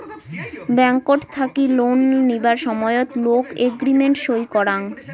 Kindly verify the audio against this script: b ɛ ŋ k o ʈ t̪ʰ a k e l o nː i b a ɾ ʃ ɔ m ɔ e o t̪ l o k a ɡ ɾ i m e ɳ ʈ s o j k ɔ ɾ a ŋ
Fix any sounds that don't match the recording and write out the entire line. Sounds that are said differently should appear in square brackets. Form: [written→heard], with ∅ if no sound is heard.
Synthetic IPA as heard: b ɛ ŋ k o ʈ t̪ʰ a k [e→i] l o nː i b a ɾ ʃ ɔ m ɔ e o t̪ l o k [a→e] ɡ ɾ i m e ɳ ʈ [s→ʃ] o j k ɔ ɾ a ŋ

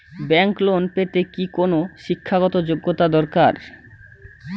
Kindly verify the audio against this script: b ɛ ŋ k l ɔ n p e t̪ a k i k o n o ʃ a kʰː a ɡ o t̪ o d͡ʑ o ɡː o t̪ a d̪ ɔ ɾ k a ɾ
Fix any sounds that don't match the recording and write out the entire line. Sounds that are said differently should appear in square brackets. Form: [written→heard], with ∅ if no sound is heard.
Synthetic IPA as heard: b ɛ ŋ k l [ɔ→o] n p e t̪ [a→e] k i k o n o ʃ [a→i] kʰː a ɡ [o→ɔ] t̪ o d͡ʑ o ɡː o t̪ a d̪ ɔ ɾ k a ɾ

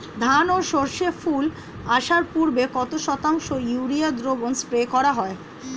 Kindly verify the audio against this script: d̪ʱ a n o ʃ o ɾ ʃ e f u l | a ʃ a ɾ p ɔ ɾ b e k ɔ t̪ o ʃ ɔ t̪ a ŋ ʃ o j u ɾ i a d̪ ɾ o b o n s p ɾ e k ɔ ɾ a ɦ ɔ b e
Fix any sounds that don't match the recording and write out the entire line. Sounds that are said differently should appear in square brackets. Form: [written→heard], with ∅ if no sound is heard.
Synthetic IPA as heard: d̪ʱ a n o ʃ o ɾ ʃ e f u l | a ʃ a ɾ p [ɔ→u] ɾ b e k ɔ t̪ o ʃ ɔ t̪ a ŋ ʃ o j u ɾ i a d̪ ɾ o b o n s p ɾ e k ɔ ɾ a ɦ ɔ [b→∅] e

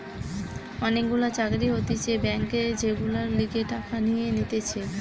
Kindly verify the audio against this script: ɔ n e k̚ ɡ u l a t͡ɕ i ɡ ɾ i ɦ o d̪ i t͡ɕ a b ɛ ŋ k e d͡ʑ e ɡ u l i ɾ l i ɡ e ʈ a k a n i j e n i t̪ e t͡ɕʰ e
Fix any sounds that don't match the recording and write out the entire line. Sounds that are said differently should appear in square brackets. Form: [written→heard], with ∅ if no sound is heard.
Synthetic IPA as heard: ɔ n e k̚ ɡ u l a t͡ɕ [i→a] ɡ ɾ i ɦ o [d̪→t̪] i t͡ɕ [a→e] b ɛ ŋ k e d͡ʑ e ɡ u l [i→a] ɾ l i ɡ e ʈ a k a n i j e n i t̪ e t͡ɕʰ e

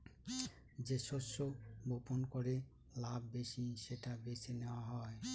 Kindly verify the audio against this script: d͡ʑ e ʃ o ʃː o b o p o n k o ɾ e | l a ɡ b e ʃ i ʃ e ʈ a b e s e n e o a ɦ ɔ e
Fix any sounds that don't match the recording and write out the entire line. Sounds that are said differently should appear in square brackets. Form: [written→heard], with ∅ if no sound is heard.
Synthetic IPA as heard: d͡ʑ e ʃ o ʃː o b o p o n k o ɾ e | l a [ɡ→b] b e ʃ i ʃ e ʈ a b e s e n e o a ɦ ɔ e

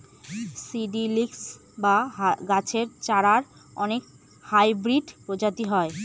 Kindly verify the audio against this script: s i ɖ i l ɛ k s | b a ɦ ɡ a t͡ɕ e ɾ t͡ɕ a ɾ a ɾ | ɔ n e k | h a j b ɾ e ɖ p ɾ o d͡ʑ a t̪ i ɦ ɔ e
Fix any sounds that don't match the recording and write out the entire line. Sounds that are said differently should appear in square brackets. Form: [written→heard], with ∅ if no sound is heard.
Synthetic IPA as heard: s i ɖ i l [ɛ→i] k s | b a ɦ ɡ a [t͡ɕ→t͡ɕʰ] e ɾ t͡ɕ a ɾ a ɾ | ɔ n e k | h a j b ɾ [e→i] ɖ p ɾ o d͡ʑ a t̪ i ɦ ɔ e

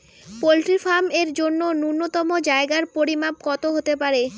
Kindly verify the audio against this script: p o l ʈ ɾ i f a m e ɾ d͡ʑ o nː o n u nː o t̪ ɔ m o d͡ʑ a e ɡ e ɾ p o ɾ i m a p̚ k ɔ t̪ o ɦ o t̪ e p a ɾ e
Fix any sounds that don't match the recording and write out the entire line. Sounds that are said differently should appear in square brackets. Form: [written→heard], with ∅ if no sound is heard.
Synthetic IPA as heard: p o l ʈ ɾ i f a m e ɾ d͡ʑ o nː o n u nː o t̪ ɔ m o d͡ʑ a e ɡ [e→a] ɾ p o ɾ i m a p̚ k ɔ t̪ o ɦ o t̪ e p a ɾ e

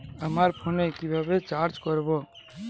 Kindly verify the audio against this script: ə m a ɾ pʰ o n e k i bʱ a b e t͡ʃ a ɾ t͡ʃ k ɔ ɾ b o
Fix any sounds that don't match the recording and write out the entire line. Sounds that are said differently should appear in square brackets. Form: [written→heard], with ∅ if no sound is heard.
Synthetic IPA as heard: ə m a ɾ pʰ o n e k i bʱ a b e t͡ʃ a ɾ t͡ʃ k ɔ ɾ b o

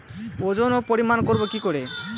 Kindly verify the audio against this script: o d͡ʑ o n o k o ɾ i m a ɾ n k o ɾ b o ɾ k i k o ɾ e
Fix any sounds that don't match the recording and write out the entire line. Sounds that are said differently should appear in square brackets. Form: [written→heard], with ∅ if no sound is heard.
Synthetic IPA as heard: o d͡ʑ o n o [k→p] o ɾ i m a [ɾ→∅] n k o ɾ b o [ɾ→∅] k i k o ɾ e

